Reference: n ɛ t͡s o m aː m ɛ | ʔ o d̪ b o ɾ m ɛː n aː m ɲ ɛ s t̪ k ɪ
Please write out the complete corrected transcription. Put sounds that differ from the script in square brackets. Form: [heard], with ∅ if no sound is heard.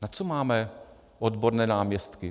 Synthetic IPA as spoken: n [a] t͡s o m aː m ɛ | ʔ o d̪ b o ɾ [n] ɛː n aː m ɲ ɛ s t̪ k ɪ